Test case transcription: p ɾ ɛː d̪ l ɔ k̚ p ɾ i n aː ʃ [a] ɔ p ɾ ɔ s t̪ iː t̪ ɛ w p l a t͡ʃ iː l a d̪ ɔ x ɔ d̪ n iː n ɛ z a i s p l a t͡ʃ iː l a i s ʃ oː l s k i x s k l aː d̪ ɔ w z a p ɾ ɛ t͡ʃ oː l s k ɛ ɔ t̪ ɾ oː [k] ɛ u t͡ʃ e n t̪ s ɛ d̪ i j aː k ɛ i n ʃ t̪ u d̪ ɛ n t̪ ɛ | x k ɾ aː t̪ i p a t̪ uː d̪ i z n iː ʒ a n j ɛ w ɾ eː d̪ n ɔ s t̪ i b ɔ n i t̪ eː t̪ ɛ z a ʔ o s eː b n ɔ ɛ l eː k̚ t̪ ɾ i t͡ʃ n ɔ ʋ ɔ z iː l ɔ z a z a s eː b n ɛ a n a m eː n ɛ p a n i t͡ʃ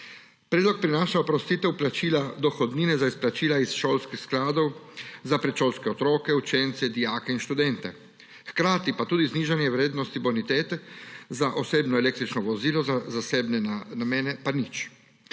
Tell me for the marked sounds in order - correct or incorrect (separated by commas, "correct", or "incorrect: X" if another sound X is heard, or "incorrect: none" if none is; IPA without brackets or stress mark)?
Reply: correct, correct